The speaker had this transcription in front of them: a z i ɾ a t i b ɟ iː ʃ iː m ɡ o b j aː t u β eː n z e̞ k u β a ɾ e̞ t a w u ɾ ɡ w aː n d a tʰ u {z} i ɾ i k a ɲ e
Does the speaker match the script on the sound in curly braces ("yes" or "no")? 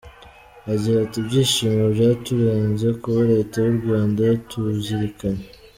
yes